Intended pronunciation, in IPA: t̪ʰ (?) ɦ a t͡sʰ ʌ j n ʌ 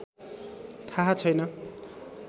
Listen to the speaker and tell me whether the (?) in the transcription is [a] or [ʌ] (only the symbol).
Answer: a